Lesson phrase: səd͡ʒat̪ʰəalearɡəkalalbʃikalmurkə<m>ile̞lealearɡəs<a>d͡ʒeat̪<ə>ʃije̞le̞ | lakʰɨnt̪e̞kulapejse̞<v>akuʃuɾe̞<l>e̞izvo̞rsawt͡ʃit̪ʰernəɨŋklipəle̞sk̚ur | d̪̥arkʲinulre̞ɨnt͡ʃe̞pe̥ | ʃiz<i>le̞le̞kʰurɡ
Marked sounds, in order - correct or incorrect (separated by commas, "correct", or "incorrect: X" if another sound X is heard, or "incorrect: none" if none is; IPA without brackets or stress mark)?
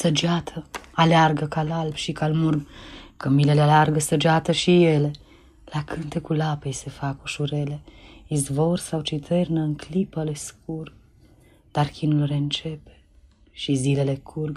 correct, incorrect: ə, correct, incorrect: f, correct, correct